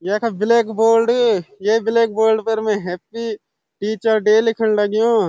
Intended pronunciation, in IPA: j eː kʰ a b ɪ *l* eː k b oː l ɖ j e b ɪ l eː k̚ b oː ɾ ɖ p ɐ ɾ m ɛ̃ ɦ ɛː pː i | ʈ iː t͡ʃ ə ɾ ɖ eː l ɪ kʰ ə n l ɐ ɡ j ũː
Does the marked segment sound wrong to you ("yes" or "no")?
no